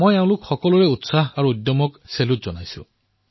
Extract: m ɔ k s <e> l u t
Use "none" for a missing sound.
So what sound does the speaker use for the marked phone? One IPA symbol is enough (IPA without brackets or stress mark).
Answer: e